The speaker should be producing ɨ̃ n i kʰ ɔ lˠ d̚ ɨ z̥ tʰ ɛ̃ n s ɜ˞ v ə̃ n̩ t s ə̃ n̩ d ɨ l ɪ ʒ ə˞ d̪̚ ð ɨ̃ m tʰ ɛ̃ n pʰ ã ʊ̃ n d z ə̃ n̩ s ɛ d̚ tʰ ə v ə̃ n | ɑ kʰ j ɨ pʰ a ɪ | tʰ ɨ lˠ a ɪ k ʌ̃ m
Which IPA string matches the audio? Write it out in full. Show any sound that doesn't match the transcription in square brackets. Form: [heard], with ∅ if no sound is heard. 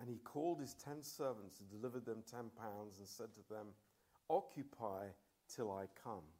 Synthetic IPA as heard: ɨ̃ n i kʰ ɔ lˠ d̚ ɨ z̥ tʰ ɛ̃ n s ɜ˞ v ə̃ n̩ t s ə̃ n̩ d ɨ l ɪ [v] ə˞ d̪̚ ð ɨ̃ m tʰ ɛ̃ n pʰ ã ʊ̃ n d z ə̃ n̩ s ɛ d̚ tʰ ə [ð] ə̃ [m] | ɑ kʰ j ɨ pʰ a ɪ | tʰ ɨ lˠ a ɪ [kʰ] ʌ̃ m